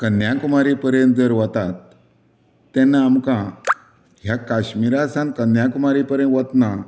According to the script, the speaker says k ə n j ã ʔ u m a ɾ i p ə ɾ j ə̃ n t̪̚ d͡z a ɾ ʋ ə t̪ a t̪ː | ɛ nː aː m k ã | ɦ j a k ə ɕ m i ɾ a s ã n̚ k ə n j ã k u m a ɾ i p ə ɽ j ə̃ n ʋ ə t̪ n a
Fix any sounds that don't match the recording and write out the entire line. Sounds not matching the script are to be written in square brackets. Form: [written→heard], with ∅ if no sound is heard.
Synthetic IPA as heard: k ə n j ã [ʔ→k] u m a ɾ i p ə ɾ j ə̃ n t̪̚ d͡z [a→ə] ɾ ʋ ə t̪ a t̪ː | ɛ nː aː m k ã | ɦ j a k [ə→a] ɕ m i ɾ a s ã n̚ k ə n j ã k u m a ɾ i p ə [ɽ→ɾ] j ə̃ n ʋ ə t̪ n a